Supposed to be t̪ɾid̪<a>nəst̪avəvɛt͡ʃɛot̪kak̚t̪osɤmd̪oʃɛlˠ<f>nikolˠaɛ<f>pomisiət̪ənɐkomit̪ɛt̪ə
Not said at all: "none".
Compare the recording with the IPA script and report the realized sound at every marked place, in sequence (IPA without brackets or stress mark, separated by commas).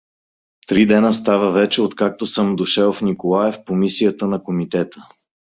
ɛ, f, f